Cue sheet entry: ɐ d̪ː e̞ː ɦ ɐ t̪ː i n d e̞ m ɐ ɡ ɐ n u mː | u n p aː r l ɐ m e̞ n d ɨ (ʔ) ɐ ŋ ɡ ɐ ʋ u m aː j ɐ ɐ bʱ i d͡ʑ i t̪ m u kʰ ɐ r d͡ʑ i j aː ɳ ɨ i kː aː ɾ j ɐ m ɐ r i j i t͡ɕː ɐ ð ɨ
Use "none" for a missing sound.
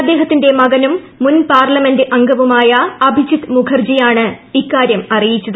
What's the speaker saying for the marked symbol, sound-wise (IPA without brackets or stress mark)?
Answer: ʔ